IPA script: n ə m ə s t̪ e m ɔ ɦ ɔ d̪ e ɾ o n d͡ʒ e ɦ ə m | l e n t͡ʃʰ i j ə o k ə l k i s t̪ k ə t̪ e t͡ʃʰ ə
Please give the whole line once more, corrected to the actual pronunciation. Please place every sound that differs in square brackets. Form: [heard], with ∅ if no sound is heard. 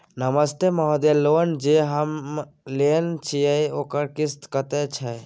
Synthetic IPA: n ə m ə s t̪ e m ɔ ɦ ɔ d̪ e [l] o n d͡ʒ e ɦ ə m | l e n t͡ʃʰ i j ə o k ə [ɾ] k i s t̪ k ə t̪ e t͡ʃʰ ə